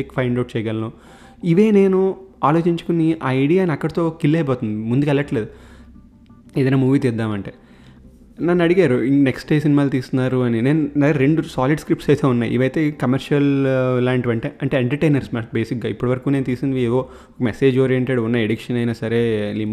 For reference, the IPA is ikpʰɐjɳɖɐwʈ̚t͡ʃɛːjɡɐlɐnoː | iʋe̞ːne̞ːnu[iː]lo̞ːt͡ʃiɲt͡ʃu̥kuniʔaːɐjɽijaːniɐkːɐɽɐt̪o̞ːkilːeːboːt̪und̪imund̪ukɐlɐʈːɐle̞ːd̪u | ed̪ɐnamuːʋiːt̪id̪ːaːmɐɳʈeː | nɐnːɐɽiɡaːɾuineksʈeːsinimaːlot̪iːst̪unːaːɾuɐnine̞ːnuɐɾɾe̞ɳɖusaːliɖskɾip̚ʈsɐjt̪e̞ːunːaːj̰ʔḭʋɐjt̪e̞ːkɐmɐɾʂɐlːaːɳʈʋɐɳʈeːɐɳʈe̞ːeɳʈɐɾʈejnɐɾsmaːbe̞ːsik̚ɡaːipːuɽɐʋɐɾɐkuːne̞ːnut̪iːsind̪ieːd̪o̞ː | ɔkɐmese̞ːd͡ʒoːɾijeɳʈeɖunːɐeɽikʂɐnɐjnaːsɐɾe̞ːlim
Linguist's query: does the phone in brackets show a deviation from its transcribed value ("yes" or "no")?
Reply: yes